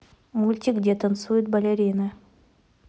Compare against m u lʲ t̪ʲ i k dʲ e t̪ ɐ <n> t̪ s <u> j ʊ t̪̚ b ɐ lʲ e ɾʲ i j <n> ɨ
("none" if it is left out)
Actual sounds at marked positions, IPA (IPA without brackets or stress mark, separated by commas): n, u, n